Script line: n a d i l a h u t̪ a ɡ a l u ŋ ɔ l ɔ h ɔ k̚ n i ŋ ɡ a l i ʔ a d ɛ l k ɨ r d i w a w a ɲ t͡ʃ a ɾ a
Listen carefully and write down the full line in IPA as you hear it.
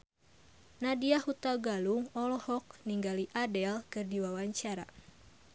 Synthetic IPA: n a d i a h u t̪ a ɡ a l u ŋ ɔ l ɔ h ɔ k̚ n i ŋ ɡ a l i ʔ a d ɛ l k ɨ r d i w a w a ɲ t͡ʃ a ɾ a